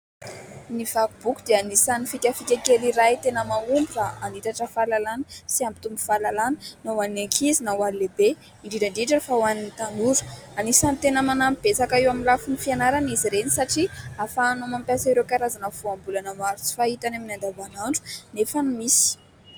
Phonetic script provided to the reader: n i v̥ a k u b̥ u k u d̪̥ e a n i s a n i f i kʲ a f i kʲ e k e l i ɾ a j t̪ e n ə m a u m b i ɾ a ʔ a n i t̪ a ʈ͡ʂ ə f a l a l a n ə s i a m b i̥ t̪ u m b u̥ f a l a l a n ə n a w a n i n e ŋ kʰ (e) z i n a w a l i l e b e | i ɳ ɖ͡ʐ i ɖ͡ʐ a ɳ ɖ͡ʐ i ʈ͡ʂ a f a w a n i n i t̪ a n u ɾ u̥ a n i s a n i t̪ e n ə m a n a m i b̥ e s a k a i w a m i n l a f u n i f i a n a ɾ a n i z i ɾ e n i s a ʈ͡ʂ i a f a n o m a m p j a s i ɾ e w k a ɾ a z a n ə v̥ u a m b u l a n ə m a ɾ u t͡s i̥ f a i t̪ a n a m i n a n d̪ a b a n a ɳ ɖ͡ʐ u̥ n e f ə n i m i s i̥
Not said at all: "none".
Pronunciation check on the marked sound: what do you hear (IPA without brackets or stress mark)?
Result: i